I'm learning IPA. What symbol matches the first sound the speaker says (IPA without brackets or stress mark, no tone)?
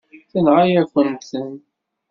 θ